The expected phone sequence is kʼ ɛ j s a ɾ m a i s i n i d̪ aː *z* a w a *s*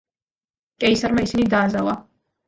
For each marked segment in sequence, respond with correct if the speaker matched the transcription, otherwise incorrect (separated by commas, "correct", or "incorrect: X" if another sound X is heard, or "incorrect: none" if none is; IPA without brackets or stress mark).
correct, incorrect: none